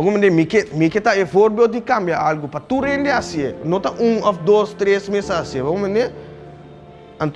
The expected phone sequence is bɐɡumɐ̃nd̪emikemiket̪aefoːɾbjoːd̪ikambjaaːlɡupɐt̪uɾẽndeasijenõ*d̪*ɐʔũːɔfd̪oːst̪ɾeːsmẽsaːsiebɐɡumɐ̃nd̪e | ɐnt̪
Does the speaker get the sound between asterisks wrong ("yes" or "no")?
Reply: yes